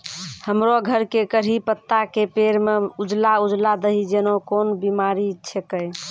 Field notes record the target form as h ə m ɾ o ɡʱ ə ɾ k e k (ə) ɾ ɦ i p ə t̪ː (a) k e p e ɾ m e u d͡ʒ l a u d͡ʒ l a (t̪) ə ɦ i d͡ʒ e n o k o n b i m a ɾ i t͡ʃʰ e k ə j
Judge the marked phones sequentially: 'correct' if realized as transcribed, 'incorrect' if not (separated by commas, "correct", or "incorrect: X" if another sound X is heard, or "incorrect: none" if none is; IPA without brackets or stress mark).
correct, correct, incorrect: d̪